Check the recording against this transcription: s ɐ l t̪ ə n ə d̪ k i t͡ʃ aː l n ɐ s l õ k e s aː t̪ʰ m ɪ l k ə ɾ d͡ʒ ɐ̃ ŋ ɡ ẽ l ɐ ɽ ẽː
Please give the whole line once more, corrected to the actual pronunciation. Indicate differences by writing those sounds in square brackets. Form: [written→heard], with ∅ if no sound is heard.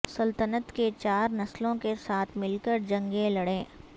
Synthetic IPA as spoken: s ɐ l t̪ ə n ə [d̪→t̪] k [i→e] t͡ʃ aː [l→ɾ] n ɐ s l õ k e s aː t̪ʰ m ɪ l k ə ɾ d͡ʒ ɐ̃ ŋ ɡ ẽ l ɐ ɽ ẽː